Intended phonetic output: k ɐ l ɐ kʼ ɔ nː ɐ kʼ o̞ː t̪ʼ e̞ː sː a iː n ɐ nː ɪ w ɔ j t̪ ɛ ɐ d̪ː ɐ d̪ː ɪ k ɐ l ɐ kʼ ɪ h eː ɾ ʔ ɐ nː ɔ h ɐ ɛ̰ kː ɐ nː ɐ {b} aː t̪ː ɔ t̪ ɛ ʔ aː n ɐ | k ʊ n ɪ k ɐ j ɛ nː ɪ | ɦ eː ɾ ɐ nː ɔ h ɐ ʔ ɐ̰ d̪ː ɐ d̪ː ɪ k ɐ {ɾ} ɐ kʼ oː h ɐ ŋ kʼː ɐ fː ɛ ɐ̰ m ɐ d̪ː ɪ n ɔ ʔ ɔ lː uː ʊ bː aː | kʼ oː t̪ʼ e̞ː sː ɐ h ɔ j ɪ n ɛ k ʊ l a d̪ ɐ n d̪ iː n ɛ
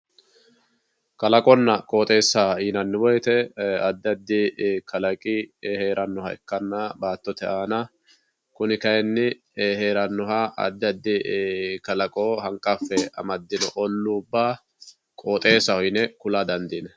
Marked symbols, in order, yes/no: yes, no

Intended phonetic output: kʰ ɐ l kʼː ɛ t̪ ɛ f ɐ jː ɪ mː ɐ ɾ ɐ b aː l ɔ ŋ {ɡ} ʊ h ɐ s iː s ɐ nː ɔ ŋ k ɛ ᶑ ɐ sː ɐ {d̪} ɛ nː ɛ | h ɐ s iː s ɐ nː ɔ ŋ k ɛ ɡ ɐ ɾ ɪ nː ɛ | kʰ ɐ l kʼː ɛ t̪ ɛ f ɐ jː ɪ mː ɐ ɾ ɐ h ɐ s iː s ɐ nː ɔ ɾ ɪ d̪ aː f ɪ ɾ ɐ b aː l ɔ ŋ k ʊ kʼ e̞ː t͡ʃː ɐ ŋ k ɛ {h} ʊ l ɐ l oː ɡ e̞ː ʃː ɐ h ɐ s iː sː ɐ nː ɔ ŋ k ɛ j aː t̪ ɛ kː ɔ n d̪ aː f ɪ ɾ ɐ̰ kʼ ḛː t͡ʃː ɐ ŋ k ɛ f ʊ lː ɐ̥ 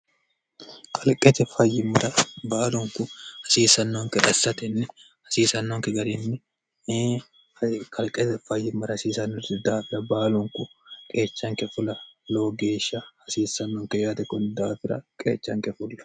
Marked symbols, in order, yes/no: no, no, no

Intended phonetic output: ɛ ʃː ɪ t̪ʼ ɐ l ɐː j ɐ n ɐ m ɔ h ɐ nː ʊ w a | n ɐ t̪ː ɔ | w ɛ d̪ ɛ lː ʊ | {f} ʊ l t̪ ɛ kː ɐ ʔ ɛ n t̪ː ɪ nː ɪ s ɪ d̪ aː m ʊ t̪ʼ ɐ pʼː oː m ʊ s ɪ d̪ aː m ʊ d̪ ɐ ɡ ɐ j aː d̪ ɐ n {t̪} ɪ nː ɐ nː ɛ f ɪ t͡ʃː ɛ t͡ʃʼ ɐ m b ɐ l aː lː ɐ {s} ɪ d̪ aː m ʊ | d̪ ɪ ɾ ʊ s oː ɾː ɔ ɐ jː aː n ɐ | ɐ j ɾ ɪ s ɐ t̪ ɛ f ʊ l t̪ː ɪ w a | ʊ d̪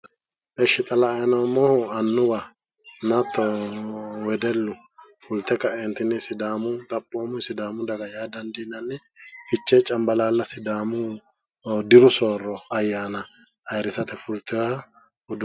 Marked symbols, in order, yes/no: yes, no, yes

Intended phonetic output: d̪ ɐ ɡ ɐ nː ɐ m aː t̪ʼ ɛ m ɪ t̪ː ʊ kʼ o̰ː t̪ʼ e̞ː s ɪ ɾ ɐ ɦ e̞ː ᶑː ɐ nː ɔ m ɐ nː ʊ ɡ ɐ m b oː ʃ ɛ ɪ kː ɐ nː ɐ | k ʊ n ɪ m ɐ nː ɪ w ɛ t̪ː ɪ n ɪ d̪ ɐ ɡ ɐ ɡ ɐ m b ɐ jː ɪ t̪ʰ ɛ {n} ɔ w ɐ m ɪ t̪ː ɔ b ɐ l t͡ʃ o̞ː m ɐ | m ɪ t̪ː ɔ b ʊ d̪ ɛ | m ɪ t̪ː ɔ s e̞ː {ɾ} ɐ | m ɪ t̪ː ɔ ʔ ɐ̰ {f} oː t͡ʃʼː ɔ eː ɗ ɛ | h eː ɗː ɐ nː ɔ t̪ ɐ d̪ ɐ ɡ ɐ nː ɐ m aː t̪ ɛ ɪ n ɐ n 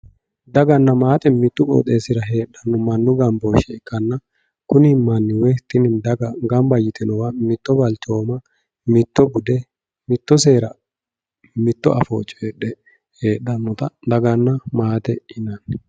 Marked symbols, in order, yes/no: yes, yes, yes

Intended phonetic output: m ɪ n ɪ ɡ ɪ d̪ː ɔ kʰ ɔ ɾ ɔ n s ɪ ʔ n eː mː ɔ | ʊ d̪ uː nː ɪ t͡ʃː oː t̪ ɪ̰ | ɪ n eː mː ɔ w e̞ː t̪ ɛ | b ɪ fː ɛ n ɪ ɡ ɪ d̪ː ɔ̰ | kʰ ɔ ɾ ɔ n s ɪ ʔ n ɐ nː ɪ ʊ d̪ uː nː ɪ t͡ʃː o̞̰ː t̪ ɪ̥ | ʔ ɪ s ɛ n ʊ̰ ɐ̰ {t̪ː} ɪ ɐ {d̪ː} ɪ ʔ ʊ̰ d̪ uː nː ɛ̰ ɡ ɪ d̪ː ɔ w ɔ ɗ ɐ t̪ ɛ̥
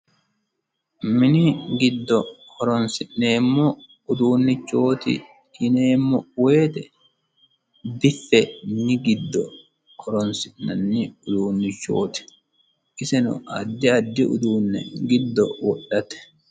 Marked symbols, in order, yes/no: no, yes

